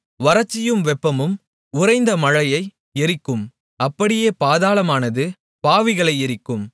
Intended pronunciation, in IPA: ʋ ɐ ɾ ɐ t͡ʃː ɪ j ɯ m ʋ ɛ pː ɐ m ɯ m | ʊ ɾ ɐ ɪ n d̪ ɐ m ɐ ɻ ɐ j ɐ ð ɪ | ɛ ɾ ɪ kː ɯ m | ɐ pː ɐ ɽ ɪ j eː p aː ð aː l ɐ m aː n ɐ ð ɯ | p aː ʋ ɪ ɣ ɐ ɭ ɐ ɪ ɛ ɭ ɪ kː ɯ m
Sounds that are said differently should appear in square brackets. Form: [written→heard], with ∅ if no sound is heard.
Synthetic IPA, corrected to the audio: ʋ ɐ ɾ ɐ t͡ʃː ɪ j ɯ m ʋ ɛ pː ɐ m ɯ m | ʊ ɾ ɐ ɪ n d̪ ɐ m ɐ ɻ ɐ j ɐ [ð→∅] ɪ | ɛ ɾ ɪ kː ɯ m | ɐ pː ɐ ɽ ɪ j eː p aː ð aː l ɐ m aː n ɐ ð ɯ | p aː ʋ ɪ ɣ ɐ ɭ ɐ ɪ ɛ [ɭ→ɾ] ɪ kː ɯ m